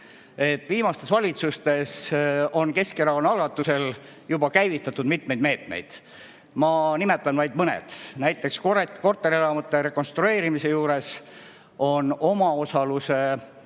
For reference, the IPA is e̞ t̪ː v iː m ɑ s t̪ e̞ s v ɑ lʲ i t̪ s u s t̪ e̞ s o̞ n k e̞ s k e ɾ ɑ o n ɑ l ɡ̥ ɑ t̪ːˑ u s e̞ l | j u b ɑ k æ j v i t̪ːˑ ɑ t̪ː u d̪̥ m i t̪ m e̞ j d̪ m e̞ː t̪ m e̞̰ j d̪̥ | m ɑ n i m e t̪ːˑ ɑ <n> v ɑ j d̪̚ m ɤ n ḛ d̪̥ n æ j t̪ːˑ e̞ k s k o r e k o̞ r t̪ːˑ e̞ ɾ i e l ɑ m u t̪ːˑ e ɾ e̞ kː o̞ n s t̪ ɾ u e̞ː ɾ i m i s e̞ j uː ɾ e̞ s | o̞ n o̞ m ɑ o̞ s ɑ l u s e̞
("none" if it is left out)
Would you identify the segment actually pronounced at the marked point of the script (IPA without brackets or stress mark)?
n